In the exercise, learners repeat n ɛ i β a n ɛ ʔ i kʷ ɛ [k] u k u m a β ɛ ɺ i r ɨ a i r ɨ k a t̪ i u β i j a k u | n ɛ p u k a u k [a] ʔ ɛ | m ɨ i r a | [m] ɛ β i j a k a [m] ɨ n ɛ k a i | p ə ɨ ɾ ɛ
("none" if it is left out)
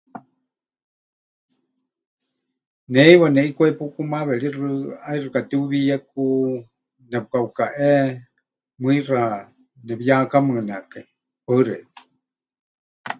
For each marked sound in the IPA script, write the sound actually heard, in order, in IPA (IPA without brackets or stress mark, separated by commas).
p, a, n, m